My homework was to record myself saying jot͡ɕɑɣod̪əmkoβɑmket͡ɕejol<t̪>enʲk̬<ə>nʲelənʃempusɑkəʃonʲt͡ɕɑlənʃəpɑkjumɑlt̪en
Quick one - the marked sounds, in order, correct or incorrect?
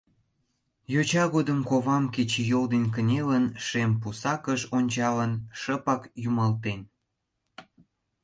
incorrect: d̪, correct

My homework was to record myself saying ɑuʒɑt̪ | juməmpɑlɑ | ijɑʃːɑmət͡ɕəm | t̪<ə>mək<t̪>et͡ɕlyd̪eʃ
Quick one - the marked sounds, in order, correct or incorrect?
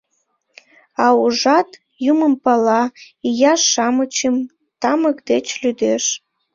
incorrect: ɑ, incorrect: d̪

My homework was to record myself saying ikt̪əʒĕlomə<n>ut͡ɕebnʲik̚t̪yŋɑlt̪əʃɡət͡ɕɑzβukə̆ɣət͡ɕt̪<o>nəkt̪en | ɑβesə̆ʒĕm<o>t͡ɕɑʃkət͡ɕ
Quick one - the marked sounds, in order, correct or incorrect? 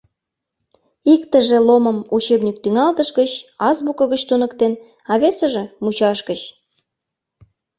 incorrect: m, incorrect: u, incorrect: u

